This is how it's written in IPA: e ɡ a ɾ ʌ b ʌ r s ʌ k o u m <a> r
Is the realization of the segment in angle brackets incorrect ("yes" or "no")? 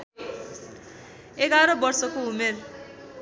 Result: yes